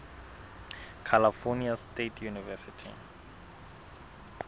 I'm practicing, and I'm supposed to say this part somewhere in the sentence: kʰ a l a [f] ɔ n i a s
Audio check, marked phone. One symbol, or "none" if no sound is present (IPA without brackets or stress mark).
f